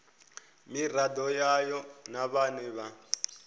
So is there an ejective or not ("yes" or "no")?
no